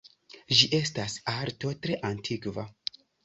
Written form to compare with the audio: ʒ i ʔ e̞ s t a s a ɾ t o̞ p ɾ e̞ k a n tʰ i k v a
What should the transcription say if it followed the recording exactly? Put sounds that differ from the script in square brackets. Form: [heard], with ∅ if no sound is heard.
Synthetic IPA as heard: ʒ i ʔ e̞ s t a s a ɾ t o̞ [t] ɾ e̞ [ʔ] a n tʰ i k v a